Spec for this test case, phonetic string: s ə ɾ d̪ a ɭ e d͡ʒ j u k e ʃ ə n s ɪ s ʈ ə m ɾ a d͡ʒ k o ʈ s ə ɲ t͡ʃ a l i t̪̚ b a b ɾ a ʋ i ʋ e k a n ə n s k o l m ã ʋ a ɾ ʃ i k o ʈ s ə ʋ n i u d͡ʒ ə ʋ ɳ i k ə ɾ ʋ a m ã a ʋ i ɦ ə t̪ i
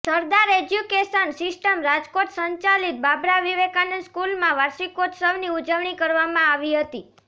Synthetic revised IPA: s ə ɾ d̪ a ɾ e d͡ʒ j u k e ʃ ə n s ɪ s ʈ ə m ɾ a d͡ʒ k o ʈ s ə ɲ t͡ʃ a l i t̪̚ b a b ɾ a ʋ i ʋ e k a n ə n s k u l m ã ʋ a ɾ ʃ i k o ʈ s ə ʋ n i u d͡ʒ ə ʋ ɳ i k ə ɾ ʋ a m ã a ʋ i ɦ ə t̪ i